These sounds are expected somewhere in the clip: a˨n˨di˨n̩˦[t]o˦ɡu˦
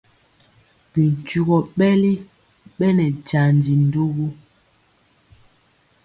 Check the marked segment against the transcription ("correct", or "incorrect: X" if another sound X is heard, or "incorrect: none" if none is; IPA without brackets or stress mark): incorrect: d